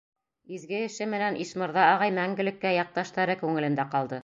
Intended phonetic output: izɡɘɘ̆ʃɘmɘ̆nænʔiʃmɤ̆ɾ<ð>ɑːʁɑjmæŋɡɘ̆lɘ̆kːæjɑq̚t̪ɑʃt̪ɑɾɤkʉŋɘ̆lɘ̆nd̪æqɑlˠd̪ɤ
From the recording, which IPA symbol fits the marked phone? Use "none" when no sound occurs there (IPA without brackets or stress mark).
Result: ð